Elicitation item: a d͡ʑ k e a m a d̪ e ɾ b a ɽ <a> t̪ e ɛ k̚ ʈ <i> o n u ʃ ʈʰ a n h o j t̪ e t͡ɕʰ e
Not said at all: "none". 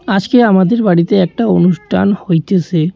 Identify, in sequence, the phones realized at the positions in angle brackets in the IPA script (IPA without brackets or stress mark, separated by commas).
i, a